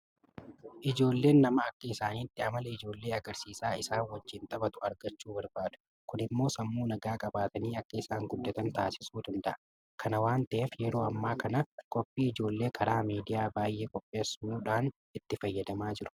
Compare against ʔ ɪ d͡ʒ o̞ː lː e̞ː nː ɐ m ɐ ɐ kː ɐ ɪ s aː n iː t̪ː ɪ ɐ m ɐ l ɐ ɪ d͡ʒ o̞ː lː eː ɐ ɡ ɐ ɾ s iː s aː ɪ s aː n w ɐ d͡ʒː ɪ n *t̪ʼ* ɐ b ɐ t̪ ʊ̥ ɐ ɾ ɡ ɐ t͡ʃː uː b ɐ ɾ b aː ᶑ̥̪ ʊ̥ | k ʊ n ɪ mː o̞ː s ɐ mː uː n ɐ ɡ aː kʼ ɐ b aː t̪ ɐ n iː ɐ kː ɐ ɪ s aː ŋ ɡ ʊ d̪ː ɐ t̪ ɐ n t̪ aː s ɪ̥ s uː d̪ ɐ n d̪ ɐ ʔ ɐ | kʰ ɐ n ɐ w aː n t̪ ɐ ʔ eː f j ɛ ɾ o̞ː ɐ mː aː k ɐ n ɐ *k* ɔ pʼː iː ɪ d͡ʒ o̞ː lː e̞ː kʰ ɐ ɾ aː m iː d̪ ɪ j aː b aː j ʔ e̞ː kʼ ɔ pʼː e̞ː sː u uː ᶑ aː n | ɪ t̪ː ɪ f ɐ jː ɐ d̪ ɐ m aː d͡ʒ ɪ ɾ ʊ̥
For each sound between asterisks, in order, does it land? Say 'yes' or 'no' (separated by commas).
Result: yes, no